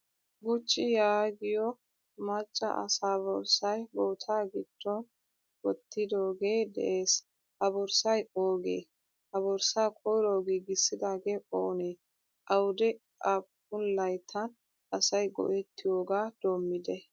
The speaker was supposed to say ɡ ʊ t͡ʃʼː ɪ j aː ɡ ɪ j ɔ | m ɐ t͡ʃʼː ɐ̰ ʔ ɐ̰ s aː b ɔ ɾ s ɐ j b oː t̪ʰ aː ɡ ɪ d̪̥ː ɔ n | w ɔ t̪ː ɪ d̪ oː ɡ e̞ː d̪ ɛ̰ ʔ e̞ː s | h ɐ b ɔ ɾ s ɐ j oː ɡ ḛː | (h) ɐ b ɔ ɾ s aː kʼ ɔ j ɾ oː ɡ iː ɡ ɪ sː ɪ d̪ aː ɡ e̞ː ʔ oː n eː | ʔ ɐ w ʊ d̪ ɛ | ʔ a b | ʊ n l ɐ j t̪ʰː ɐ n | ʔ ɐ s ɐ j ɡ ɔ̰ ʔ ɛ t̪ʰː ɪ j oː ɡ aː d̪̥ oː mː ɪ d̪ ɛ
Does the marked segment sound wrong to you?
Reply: no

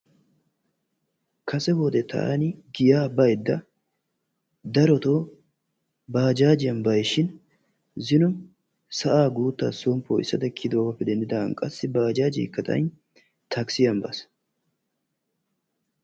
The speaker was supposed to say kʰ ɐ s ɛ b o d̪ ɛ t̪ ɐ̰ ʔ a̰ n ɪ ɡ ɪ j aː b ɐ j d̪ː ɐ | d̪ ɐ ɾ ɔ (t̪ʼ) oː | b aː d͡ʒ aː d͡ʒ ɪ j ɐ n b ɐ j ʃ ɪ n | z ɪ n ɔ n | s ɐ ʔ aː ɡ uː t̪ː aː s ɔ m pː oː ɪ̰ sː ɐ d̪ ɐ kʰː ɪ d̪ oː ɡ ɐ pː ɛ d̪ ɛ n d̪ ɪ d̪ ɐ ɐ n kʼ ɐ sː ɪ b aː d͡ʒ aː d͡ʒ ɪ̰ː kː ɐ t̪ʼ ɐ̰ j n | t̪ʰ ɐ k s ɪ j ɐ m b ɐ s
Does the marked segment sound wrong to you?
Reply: yes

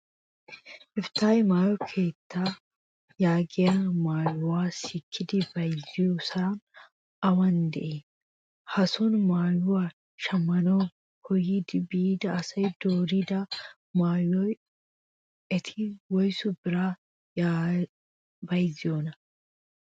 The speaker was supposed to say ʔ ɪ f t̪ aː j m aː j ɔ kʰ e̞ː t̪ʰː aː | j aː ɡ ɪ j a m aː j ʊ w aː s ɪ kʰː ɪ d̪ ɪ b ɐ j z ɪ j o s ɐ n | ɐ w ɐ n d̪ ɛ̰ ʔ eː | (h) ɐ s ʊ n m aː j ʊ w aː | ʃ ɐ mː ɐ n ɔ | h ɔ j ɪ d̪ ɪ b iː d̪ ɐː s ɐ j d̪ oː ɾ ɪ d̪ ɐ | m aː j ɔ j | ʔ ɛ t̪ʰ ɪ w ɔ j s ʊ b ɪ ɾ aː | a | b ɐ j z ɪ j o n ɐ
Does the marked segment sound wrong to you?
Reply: no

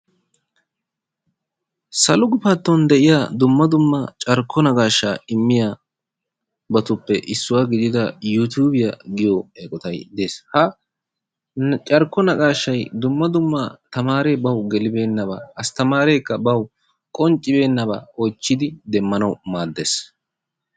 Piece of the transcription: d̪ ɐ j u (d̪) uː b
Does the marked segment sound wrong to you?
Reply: yes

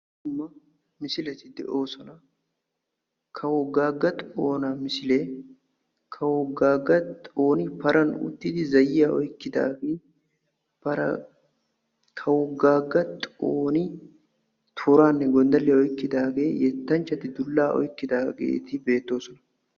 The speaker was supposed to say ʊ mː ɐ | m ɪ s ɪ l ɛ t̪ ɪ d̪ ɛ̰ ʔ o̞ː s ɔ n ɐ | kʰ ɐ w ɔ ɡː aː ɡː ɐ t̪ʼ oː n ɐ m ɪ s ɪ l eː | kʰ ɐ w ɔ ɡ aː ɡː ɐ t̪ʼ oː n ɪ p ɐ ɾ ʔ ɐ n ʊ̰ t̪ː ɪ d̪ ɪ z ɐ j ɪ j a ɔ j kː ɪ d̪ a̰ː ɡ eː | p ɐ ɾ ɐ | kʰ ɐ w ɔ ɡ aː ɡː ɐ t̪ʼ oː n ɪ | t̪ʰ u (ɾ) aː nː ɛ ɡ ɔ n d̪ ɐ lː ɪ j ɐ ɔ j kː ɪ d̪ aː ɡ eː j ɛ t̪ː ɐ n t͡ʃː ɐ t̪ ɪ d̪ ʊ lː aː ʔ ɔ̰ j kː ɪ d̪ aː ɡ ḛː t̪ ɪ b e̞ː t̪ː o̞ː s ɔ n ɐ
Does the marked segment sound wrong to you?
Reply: no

